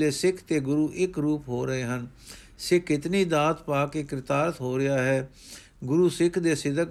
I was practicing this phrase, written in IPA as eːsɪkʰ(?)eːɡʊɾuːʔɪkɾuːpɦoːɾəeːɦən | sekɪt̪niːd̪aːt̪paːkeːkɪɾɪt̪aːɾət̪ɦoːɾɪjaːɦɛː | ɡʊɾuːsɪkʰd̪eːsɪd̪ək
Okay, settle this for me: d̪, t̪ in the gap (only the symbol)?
t̪